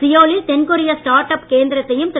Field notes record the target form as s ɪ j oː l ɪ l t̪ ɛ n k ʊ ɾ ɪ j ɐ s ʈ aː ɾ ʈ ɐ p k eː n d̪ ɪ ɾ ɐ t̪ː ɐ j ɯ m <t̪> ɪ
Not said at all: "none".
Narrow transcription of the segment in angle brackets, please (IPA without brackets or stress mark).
t̪